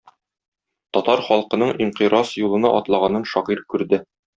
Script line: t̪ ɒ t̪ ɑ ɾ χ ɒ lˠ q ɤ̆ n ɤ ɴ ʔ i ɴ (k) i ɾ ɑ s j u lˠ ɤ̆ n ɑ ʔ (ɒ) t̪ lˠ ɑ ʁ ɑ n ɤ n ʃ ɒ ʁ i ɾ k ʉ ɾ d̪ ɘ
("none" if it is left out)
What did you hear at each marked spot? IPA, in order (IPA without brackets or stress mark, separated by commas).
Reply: q, ɒ